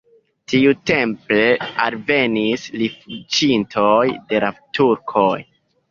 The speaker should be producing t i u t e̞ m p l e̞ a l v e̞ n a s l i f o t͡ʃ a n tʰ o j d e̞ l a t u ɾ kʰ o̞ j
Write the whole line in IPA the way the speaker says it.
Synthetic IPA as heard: t i u t e̞ m p l e̞ a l v e̞ n i s l i f u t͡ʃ i n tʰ o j d e̞ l a t u ɾ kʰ o̞ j